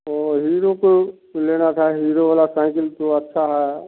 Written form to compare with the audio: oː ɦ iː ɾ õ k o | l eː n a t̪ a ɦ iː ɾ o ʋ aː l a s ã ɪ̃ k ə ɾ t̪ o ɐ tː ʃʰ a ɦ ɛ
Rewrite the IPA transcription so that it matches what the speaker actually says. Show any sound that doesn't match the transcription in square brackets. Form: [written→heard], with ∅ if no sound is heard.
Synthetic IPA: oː ɦ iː ɾ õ k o | l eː n a [t̪→t̪ʰ] a ɦ iː ɾ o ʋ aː l a s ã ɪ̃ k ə [ɾ→l] t̪ o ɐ tː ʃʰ a ɦ ɛ

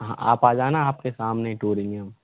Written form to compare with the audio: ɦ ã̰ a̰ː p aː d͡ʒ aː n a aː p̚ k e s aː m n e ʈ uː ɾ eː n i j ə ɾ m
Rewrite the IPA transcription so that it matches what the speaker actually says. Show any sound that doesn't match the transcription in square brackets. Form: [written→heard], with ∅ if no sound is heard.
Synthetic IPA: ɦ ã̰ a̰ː p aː d͡ʒ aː n a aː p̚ k e s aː m n e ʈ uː ɾ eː n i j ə [ɾ→∅] m

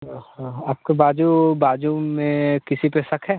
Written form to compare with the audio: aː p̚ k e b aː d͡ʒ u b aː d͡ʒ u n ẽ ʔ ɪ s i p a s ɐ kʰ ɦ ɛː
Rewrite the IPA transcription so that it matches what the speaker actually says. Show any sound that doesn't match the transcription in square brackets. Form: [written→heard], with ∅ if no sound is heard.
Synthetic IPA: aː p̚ k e b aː d͡ʒ u b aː d͡ʒ u [n→m] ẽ [ʔ→k] ɪ s i p [a→e] s ɐ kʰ ɦ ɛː

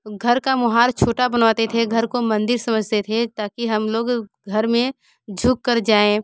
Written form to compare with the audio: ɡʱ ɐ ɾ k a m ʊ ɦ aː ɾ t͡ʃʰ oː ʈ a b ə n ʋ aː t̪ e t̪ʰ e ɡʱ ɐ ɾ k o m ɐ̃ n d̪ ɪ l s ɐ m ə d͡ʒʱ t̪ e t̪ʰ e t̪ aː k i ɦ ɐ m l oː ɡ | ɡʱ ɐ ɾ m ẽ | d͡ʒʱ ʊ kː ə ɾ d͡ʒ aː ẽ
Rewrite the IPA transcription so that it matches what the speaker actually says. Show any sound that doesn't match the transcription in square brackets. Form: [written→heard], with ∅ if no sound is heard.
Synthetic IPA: ɡʱ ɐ ɾ k a m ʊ ɦ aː ɾ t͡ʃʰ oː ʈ a b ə n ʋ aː t̪ e t̪ʰ e ɡʱ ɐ ɾ k o m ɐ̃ n d̪ ɪ [l→ɾ] s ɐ m ə d͡ʒʱ t̪ e t̪ʰ e t̪ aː k i ɦ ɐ m l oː ɡ | ɡʱ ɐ ɾ m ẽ | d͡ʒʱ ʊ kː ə ɾ d͡ʒ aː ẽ

